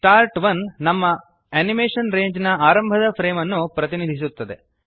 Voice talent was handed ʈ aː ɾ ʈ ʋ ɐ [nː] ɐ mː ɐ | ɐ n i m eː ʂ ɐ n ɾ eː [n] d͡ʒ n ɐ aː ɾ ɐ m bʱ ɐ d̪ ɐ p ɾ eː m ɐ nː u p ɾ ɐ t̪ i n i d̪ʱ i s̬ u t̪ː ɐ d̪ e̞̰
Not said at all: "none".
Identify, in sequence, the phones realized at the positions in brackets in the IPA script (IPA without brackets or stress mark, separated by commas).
nː, ɲ